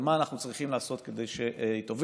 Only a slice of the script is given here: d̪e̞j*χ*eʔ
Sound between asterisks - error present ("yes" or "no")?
yes